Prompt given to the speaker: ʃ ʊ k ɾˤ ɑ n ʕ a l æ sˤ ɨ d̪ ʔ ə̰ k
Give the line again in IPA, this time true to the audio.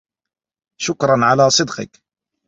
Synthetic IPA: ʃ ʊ k ɾˤ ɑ n ʕ a l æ sˤ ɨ d̪ q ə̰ k